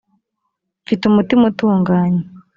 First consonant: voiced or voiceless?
voiceless